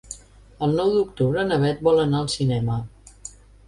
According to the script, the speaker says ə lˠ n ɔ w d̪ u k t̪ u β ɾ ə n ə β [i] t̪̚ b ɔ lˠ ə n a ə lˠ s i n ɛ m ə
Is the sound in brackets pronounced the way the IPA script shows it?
no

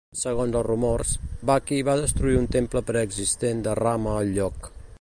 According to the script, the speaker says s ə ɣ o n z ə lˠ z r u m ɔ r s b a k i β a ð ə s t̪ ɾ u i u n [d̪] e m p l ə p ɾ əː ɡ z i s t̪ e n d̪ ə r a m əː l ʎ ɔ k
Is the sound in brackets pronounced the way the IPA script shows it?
no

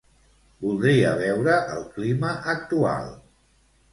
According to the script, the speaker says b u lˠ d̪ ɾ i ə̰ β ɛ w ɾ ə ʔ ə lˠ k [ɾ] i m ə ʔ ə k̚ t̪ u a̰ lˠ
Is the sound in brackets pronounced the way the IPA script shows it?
no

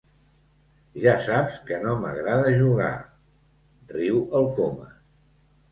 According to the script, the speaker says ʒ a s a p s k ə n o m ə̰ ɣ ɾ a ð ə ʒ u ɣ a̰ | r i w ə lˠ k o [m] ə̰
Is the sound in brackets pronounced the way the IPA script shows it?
yes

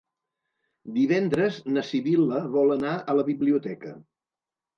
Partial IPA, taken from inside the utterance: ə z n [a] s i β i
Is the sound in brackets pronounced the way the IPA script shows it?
no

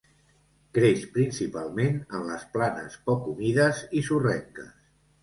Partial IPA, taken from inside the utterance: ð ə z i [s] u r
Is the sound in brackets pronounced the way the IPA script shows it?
yes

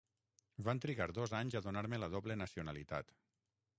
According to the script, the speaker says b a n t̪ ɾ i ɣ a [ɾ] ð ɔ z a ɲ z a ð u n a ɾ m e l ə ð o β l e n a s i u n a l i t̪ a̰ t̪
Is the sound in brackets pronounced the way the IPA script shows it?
yes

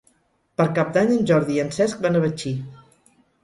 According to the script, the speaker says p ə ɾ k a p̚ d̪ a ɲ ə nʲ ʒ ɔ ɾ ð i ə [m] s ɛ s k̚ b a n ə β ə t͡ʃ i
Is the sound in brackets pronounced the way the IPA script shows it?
no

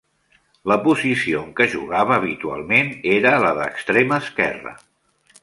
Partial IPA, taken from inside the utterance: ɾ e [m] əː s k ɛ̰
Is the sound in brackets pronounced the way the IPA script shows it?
yes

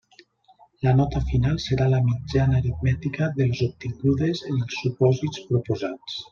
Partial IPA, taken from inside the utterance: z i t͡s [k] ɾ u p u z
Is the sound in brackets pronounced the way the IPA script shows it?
no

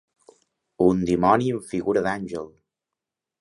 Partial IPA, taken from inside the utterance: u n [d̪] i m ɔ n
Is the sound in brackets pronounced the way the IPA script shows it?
yes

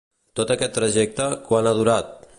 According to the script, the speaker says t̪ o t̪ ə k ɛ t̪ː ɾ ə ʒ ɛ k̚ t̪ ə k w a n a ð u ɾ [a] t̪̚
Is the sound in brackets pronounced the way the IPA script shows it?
yes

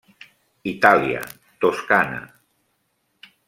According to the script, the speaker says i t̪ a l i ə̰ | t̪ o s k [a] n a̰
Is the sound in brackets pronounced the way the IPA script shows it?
yes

